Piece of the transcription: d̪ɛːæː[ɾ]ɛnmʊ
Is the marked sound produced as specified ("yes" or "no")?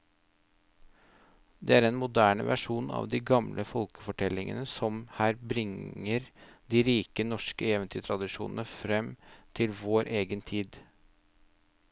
yes